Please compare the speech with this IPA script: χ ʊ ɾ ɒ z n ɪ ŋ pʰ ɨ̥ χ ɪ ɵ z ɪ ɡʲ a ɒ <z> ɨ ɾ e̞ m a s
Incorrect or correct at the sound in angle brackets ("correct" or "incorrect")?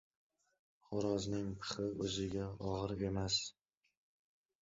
incorrect